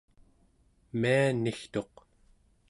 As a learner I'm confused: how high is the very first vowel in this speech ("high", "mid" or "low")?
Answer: high